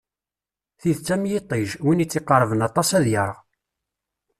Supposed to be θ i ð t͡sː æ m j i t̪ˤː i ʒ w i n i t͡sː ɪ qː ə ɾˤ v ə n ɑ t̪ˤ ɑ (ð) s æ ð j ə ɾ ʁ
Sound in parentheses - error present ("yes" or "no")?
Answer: yes